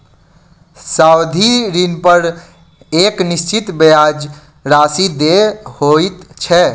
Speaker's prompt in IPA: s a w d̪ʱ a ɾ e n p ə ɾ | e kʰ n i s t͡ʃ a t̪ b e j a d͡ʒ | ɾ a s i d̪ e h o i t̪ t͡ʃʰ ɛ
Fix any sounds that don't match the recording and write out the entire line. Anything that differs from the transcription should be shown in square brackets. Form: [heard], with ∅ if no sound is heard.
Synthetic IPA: s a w d̪ʱ [i] ɾ [i] n p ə ɾ | e [k] n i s t͡ʃ [i] t̪ b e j a d͡ʒ | ɾ a s i d̪ e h o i t̪ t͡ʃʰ ɛ